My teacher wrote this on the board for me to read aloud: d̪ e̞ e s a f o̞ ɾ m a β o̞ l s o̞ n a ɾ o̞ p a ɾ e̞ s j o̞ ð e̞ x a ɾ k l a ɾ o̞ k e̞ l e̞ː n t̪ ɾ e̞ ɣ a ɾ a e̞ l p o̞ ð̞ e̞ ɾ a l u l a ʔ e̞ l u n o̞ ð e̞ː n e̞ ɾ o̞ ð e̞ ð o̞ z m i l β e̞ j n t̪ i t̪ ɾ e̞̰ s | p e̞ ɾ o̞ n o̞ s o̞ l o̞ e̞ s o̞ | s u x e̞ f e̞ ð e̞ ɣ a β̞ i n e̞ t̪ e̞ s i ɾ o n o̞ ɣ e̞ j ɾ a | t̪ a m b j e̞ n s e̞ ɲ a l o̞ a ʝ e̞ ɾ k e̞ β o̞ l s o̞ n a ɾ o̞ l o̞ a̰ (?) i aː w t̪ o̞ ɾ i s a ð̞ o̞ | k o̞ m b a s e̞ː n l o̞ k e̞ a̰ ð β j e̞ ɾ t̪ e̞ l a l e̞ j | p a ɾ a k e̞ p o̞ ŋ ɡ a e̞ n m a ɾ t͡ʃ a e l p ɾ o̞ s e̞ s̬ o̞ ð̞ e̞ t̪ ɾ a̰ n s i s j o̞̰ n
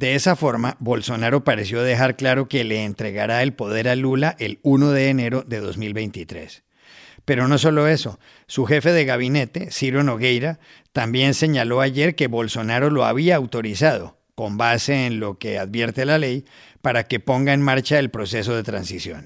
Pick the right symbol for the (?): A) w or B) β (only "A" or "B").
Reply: B